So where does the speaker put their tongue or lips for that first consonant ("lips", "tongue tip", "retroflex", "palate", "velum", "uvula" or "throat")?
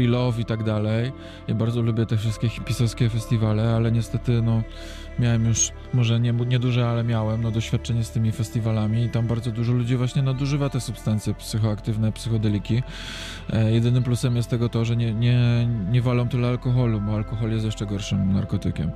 tongue tip